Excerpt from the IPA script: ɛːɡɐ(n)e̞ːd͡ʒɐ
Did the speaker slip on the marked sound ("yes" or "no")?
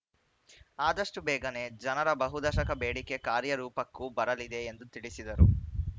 no